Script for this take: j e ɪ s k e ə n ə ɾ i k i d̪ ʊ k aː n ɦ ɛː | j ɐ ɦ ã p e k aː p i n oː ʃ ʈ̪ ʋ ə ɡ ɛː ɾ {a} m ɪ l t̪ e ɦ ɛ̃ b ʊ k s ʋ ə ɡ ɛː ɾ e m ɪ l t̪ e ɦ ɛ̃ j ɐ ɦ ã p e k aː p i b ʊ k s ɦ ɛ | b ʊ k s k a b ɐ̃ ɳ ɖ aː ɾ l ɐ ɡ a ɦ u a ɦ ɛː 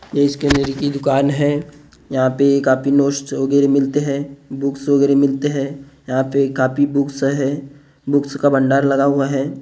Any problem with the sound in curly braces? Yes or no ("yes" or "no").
yes